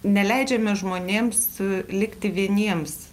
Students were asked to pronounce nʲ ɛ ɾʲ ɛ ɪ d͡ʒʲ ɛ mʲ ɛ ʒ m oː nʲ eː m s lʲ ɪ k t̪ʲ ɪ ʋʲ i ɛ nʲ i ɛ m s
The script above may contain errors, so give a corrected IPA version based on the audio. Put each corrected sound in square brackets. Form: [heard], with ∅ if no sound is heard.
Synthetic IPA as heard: nʲ ɛ [lʲ] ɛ ɪ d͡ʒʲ ɛ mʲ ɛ ʒ m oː nʲ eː m s lʲ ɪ k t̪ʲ ɪ ʋʲ i ɛ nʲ i ɛ m s